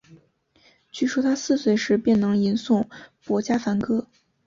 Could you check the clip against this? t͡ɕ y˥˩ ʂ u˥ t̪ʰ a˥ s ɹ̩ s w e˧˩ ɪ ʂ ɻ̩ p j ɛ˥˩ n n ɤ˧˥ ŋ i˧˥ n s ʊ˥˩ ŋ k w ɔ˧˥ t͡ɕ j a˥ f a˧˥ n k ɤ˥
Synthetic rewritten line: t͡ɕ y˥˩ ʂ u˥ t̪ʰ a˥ s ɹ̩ s w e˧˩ ɪ ʂ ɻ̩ p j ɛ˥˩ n n ɤ˧˥ ŋ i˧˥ n s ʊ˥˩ ŋ p w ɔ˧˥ t͡ɕ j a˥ f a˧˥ n k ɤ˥

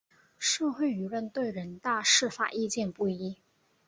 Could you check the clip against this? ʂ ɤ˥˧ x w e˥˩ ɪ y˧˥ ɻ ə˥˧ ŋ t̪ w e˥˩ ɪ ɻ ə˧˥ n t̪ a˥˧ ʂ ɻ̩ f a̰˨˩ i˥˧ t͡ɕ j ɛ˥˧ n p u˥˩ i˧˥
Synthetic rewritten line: ʂ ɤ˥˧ x w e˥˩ ɪ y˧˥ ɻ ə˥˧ n t̪ w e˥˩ ɪ ɻ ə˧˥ n t̪ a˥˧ ʂ ɻ̩ f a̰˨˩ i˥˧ t͡ɕ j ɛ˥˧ n p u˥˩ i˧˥

